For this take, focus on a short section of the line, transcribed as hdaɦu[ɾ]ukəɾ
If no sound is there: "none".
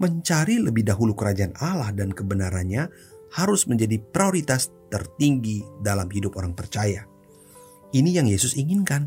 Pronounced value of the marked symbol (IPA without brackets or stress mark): l